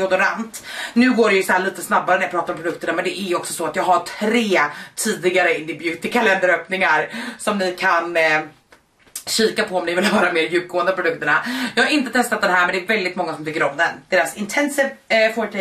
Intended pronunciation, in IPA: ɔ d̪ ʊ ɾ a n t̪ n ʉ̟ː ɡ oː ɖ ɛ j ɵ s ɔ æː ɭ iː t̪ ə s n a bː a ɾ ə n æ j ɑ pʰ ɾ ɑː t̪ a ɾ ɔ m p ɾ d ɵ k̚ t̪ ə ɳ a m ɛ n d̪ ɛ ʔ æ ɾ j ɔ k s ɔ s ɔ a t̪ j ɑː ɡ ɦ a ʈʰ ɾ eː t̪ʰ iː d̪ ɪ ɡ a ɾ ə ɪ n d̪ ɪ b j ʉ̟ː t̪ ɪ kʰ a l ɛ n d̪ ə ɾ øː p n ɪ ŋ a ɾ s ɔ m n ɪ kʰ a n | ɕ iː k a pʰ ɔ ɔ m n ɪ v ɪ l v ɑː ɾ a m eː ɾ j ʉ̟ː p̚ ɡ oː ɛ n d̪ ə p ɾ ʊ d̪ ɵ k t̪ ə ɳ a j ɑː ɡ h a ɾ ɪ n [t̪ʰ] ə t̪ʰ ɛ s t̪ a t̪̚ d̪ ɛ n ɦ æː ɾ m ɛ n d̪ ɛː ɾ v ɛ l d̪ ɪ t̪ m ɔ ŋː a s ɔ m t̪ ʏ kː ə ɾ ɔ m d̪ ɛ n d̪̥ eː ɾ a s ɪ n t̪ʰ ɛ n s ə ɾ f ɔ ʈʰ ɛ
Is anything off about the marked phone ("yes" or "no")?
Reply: yes